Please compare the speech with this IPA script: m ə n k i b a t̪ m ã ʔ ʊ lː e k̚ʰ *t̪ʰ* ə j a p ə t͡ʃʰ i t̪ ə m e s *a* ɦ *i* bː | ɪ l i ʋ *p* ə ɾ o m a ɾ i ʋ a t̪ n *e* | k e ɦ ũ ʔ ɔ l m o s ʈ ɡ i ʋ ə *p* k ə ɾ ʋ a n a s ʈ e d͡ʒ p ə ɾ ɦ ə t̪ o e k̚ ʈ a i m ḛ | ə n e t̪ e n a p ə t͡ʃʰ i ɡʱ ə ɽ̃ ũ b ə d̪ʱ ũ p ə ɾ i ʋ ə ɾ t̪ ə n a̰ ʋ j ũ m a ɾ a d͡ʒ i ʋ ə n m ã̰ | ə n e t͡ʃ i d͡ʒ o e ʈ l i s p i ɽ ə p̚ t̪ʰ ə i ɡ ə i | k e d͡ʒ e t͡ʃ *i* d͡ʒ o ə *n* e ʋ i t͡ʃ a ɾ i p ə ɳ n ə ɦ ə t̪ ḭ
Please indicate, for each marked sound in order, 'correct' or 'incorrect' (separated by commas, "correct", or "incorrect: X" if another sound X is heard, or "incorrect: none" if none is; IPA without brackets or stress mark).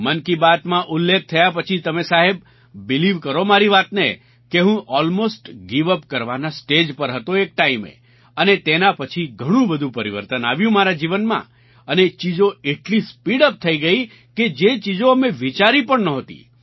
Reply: correct, correct, incorrect: e, incorrect: k, correct, correct, correct, incorrect: m